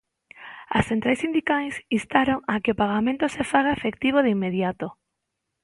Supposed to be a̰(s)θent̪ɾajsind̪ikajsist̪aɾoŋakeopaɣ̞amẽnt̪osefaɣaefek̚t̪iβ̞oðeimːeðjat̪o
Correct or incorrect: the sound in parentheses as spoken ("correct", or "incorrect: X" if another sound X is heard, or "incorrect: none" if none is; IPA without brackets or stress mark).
correct